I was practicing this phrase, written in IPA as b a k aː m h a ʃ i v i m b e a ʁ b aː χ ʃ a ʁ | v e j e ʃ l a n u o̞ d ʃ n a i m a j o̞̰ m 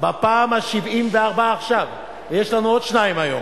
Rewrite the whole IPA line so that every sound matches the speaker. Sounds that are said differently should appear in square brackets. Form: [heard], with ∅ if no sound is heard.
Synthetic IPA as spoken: b a [p] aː m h a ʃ i v i m [v] e a ʁ b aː χ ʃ a [v] | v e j e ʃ l a n u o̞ d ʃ n a i m a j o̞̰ m